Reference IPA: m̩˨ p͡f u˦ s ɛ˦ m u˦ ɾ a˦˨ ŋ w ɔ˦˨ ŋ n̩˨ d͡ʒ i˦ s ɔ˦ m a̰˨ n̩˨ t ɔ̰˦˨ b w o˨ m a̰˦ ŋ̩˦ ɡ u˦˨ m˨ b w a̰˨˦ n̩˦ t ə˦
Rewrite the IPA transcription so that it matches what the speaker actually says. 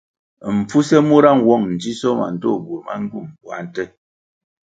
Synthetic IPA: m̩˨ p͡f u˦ s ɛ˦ m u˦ ɾ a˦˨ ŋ w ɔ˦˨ ŋ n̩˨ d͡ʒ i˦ s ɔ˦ m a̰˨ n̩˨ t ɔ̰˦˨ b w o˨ m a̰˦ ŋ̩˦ ɡ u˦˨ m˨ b w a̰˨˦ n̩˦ t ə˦